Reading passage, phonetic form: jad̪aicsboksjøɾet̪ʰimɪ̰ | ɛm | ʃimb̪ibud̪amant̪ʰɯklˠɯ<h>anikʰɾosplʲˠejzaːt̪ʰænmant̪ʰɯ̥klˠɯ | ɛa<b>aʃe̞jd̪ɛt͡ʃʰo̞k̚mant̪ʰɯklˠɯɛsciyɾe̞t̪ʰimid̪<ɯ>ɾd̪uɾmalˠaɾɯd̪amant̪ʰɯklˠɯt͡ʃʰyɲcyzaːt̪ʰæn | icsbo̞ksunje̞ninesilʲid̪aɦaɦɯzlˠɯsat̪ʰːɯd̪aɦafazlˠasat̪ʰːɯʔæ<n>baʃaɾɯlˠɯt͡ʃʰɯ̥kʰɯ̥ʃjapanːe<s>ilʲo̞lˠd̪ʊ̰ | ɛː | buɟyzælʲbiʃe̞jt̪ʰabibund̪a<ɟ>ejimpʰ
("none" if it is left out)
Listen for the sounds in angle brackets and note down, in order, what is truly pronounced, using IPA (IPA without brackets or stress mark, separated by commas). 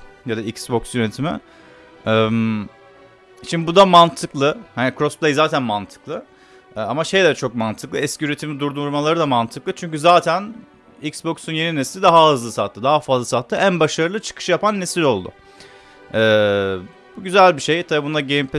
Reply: h, m, u, n, s, ɟ